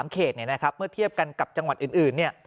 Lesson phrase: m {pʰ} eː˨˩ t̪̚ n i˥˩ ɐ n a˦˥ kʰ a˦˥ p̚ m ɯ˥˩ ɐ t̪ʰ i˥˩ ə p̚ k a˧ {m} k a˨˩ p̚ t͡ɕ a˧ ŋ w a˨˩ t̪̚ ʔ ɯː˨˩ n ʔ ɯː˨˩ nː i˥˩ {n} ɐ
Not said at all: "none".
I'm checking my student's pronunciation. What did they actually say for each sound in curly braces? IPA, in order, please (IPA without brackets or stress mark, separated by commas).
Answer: kʰ, n, none